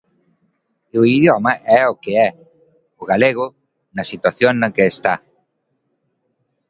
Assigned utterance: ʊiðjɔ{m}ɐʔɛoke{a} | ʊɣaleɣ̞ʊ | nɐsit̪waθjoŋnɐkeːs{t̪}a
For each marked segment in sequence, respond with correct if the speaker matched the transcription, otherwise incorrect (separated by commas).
correct, incorrect, correct